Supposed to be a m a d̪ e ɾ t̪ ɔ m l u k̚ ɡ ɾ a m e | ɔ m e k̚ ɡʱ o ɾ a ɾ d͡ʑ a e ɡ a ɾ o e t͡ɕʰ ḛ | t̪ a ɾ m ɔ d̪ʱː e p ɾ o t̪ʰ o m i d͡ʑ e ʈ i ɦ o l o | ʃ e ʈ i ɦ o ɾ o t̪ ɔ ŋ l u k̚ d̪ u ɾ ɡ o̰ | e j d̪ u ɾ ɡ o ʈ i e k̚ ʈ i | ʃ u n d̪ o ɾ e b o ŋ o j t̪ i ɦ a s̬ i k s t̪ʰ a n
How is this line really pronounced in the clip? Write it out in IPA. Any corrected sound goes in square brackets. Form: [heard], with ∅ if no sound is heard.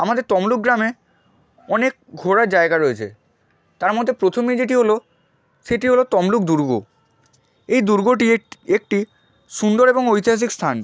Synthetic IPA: a m a d̪ e ɾ t̪ ɔ m l u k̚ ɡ ɾ a m e | ɔ [n] e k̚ ɡʱ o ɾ a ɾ d͡ʑ a e ɡ a ɾ o e t͡ɕʰ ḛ | t̪ a ɾ m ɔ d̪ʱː e p ɾ o t̪ʰ o m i d͡ʑ e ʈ i ɦ o l o | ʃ e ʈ i ɦ o [l] o t̪ ɔ [m] l u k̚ d̪ u ɾ ɡ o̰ | e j d̪ u ɾ ɡ o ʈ i e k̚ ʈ i | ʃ u n d̪ o ɾ e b o ŋ o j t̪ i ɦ a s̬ i k s t̪ʰ a n